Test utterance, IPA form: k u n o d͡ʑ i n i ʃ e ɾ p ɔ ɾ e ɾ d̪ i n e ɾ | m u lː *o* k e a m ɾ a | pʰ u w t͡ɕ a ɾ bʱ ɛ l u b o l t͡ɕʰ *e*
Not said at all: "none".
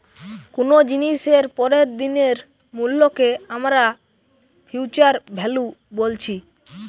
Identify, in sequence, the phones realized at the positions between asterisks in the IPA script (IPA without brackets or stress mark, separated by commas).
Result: o, i